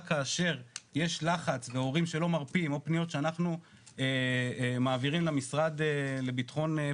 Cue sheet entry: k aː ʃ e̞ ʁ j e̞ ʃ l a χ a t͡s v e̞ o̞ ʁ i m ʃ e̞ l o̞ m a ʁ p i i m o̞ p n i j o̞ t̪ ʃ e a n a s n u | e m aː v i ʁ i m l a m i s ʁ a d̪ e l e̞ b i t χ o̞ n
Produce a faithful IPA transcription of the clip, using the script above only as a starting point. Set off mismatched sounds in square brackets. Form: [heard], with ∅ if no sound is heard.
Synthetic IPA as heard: k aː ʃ e̞ ʁ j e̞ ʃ l a χ a t͡s v e̞ o̞ ʁ i m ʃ e̞ l o̞ m a ʁ p i i m o̞ p n i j o̞ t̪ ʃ e a n a [χ] n u | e m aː v i ʁ i m l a m i s ʁ a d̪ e l e̞ b i t χ o̞ n